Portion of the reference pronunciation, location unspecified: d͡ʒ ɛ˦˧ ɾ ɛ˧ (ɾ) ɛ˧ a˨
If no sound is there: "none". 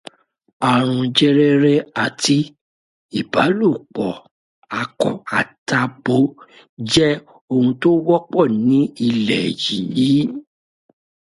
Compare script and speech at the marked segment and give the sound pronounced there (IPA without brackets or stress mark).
ɾ